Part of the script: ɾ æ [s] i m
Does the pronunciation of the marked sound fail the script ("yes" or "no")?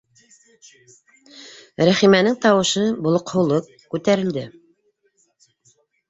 yes